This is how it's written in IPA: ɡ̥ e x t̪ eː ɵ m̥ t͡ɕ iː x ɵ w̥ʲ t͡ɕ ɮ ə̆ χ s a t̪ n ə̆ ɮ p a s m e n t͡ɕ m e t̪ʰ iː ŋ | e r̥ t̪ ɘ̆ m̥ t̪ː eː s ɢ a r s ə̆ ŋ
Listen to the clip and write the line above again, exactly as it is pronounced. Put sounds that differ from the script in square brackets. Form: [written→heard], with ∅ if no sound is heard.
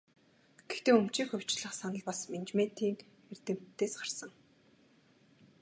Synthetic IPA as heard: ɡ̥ e x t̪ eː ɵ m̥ t͡ɕ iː x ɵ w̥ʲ t͡ɕ ɮ ə̆ χ s a [t̪→∅] n ə̆ ɮ p a s m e n t͡ɕ m e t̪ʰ iː ŋ | e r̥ t̪ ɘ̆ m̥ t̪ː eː s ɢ a r s ə̆ ŋ